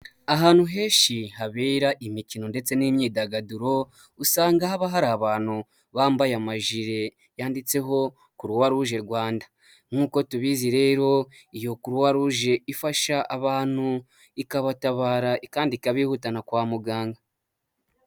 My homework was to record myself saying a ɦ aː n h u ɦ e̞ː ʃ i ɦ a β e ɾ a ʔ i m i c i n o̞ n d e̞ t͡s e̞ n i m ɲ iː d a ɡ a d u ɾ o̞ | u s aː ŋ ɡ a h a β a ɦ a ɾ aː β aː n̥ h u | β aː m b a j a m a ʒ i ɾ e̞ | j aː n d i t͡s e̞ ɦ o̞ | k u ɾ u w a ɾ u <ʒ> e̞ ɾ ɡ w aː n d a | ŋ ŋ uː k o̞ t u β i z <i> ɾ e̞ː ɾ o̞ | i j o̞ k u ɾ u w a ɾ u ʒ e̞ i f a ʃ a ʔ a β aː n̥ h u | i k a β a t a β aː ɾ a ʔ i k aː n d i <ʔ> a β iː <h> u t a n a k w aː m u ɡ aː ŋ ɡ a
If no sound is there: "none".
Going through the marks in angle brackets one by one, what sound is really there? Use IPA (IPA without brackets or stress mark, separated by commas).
ʒ, i, k, h